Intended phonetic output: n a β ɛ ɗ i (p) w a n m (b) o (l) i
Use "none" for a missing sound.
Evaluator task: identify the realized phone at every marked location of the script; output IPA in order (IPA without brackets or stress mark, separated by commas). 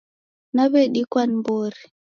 k, b, ɾ